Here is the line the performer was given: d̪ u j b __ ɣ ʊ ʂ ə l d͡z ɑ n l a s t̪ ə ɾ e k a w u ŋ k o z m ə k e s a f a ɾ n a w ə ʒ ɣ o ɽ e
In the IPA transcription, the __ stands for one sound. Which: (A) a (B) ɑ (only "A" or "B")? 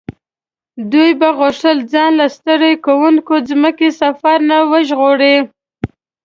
A